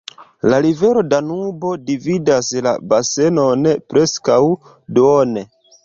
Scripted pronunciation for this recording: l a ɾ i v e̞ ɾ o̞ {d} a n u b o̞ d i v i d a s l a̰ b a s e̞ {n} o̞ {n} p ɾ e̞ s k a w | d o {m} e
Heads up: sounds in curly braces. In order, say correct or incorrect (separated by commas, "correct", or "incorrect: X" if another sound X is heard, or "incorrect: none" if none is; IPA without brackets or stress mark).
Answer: correct, correct, correct, incorrect: n